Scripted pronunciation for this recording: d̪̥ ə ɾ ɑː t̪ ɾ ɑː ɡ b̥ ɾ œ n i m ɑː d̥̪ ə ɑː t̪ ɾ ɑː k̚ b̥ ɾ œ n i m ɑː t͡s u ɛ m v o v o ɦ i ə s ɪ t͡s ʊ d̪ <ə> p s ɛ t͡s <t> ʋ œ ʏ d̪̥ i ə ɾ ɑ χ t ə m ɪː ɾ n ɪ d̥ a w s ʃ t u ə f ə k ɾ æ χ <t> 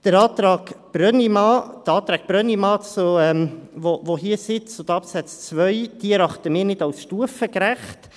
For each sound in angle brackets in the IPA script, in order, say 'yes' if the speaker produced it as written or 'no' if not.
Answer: no, no, yes

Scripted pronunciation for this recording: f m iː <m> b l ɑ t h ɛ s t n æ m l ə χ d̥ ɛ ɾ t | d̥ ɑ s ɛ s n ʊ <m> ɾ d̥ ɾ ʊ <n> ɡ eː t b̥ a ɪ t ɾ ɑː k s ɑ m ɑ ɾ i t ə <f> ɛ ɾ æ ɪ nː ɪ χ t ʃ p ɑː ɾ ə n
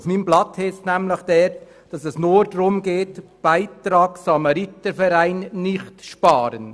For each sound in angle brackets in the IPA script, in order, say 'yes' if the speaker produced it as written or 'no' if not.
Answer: yes, no, no, yes

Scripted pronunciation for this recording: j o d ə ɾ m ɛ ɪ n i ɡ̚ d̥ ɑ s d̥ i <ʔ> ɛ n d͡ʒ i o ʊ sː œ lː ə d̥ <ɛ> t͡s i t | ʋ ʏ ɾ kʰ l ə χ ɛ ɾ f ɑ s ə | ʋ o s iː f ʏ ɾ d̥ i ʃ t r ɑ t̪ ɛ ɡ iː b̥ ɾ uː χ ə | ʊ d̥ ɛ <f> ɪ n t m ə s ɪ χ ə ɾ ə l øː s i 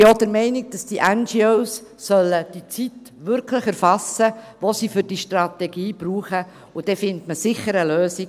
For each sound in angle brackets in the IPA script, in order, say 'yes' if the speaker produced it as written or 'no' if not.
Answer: yes, no, yes

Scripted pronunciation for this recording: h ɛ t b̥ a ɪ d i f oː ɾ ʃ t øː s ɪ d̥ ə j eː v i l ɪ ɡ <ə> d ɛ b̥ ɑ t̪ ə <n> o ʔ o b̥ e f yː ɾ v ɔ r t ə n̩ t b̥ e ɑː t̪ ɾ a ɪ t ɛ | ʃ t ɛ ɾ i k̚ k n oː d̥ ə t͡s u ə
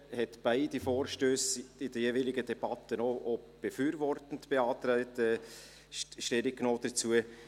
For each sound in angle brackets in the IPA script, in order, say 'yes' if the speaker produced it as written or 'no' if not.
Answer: yes, yes

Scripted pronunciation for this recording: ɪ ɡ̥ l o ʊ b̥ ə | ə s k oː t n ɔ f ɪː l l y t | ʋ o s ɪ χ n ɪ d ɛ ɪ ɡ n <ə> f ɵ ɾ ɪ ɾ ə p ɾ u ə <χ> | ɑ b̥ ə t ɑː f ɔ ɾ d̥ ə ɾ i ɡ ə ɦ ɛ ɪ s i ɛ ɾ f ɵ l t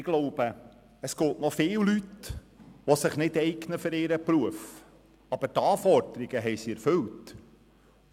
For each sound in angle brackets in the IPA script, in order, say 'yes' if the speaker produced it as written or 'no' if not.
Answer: yes, no

